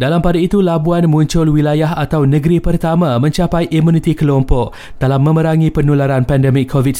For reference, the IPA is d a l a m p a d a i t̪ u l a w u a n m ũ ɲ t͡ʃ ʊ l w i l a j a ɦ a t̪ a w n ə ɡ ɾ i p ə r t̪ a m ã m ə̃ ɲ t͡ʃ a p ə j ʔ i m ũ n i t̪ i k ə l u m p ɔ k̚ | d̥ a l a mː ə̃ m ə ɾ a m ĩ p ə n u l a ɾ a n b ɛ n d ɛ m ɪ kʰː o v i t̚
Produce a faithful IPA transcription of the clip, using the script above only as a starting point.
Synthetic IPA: d a l a m p a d a i t̪ u l a b u a n m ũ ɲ t͡ʃ ʊ l w i l a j a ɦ a t̪ a w n ə ɡ ɾ i p ə r t̪ a m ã m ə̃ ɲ t͡ʃ a p a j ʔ i m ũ n i t̪ i k ə l ɔ m p ɔ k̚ | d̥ a l a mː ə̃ m ə ɾ a ŋ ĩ p ə n u l a ɾ a n p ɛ n d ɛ m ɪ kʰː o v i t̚